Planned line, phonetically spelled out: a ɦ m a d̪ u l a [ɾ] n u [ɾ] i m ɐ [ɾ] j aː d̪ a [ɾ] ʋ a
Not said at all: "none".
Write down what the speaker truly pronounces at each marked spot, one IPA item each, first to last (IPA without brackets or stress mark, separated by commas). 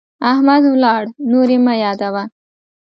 ɽ, ɾ, none, none